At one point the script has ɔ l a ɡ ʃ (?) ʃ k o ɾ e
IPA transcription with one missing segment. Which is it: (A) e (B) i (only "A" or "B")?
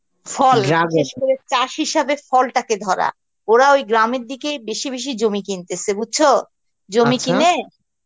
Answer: A